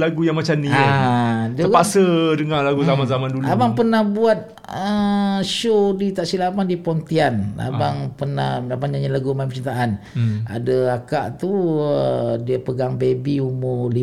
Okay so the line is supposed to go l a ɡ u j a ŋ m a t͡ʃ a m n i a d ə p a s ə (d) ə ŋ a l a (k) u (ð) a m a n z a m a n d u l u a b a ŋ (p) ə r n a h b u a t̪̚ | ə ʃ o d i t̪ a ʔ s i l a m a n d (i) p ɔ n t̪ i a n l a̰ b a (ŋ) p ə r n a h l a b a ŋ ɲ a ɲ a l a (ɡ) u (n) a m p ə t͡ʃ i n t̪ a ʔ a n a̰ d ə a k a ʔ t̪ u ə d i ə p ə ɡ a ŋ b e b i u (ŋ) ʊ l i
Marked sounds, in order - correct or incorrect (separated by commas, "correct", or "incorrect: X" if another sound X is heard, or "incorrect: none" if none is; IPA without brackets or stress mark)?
correct, incorrect: ɡ, incorrect: z, correct, correct, correct, correct, incorrect: m, incorrect: m